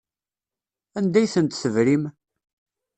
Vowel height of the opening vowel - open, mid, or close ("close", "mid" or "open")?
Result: open